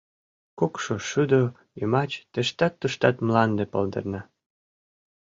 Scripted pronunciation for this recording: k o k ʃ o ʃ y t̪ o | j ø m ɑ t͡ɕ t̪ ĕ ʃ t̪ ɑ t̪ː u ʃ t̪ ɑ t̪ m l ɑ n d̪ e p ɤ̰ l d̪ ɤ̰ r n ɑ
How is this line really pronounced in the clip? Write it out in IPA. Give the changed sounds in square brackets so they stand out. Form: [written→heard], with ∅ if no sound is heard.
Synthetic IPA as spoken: k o k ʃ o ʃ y [t̪→d̪] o | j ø m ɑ t͡ɕ t̪ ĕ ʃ t̪ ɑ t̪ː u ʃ t̪ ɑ t̪ m l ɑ n d̪ e p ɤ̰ l d̪ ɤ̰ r n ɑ